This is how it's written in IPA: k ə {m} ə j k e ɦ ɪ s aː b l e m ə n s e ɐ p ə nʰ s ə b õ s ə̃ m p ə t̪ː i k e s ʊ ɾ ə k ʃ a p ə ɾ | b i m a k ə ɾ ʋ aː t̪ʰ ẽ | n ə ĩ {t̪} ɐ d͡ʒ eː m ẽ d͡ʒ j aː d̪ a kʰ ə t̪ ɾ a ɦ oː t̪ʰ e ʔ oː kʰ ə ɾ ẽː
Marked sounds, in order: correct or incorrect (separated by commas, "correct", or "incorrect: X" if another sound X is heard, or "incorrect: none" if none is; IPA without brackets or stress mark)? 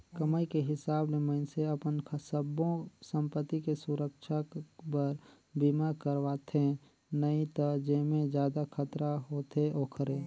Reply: correct, correct